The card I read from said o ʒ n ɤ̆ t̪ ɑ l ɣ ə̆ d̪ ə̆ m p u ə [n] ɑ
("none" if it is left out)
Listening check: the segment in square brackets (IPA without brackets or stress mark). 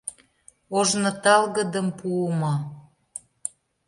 m